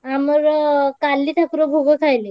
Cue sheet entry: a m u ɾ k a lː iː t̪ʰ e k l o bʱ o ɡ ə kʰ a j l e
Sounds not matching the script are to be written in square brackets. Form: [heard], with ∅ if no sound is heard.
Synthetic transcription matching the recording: a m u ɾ k a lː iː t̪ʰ [a] k [ɾ] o bʱ o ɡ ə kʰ a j l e